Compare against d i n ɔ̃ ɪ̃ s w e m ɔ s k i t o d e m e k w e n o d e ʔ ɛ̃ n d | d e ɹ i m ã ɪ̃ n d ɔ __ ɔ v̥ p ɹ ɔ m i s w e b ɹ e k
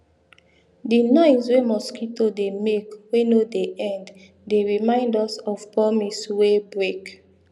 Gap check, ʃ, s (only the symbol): s